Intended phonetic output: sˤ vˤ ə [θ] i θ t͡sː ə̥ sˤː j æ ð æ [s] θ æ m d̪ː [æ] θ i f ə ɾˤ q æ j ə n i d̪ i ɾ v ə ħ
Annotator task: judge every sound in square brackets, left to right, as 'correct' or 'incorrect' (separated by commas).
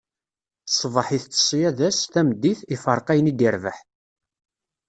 incorrect, correct, incorrect